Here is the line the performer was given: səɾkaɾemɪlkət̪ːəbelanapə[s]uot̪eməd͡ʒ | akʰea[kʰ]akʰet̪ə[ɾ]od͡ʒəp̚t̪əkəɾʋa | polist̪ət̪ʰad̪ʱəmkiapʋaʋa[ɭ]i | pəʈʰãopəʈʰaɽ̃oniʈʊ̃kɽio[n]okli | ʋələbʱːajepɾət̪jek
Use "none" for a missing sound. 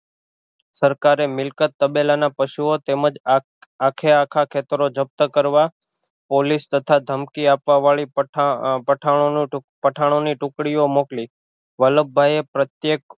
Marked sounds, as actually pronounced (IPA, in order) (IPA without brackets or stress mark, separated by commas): ʃ, kʰ, ɾ, ɭ, m